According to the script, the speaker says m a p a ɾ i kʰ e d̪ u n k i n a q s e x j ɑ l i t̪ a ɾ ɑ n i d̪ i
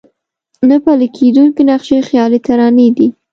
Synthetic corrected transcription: n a p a l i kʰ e d̪ u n k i n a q ʃ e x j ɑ l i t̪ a ɾ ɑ n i d̪ i